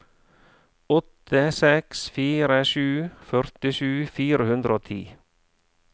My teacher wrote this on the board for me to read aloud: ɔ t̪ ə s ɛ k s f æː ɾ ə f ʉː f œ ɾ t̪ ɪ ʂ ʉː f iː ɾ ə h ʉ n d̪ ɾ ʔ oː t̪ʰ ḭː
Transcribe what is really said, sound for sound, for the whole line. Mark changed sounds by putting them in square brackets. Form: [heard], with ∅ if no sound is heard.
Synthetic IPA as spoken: ɔ t̪ ə s ɛ k s f [iː] ɾ ə [ʃ] ʉː f œ ɾ t̪ ɪ [ʃ] ʉː f iː ɾ ə h ʉ n d̪ ɾ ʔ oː t̪ʰ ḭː